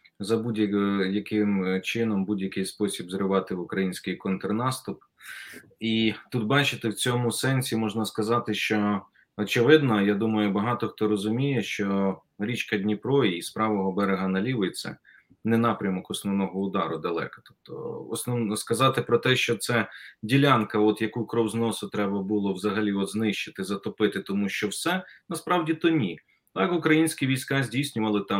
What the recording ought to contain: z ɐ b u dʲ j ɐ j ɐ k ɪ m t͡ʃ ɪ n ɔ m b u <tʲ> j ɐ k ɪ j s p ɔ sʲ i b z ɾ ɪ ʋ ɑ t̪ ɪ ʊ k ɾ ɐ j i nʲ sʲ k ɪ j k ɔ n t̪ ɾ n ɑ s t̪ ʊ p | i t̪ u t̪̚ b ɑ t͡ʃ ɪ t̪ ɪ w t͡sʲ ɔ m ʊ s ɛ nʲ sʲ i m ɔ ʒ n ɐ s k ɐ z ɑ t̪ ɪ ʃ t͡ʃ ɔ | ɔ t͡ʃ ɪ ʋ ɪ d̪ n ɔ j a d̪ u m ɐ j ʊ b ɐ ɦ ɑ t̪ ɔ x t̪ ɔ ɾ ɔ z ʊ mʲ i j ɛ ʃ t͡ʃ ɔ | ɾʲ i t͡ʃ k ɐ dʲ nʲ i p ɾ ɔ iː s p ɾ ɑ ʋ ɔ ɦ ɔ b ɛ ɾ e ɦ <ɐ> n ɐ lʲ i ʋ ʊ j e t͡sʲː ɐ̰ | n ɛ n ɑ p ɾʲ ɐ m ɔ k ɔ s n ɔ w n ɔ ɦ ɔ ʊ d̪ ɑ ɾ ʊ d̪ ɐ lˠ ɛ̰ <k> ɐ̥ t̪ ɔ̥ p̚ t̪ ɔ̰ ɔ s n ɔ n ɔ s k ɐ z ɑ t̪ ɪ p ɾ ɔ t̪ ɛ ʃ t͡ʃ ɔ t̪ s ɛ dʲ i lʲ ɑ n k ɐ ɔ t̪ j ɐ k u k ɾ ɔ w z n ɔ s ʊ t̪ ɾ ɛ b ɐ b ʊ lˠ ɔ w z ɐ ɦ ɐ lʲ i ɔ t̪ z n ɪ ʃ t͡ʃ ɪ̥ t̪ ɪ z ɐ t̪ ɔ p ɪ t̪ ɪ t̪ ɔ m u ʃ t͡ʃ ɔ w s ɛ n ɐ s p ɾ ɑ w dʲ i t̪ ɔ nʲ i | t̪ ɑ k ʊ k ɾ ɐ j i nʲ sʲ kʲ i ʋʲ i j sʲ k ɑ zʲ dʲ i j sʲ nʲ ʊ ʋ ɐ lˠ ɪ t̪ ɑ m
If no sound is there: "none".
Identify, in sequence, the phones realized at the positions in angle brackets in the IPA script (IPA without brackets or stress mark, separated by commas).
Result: dʲ, ɐ, k